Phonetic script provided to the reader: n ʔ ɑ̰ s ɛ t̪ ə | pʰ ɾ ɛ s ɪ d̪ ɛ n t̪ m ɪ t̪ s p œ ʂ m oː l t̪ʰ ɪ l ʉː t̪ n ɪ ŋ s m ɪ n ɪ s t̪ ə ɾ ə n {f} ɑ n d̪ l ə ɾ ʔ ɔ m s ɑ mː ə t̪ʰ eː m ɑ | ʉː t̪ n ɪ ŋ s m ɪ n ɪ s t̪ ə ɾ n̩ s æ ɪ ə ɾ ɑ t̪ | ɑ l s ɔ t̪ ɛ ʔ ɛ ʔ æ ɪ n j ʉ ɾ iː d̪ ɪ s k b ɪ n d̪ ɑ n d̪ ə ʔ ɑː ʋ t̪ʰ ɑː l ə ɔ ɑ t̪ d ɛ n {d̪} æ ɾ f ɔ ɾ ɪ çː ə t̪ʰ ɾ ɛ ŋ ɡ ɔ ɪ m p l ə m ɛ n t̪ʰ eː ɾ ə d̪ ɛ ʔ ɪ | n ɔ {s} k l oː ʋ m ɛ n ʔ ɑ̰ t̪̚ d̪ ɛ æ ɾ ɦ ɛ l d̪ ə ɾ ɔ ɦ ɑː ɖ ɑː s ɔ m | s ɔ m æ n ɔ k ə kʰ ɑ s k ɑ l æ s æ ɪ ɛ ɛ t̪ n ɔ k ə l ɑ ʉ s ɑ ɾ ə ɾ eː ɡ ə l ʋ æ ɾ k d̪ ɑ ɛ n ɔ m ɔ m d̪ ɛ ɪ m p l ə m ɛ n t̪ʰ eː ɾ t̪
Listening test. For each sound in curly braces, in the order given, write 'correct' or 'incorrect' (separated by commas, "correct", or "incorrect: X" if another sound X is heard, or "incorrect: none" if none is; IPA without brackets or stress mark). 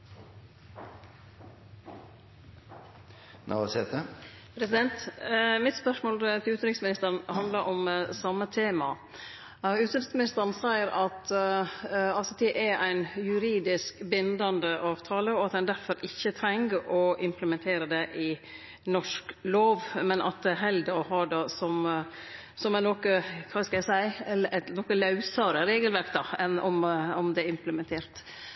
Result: incorrect: h, correct, incorrect: ʂ